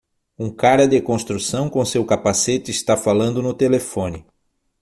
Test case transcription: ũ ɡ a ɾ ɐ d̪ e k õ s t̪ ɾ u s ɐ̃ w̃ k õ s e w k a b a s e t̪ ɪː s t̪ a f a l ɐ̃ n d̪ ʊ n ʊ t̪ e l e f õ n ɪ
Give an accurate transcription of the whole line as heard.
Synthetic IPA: ũ k a ɾ ɐ d̪ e k õ s t̪ ɾ u s ɐ̃ w̃ k õ s e w k a p a s e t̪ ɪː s t̪ a f a l ɐ̃ n d̪ ʊ n ʊ t̪ e l e f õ n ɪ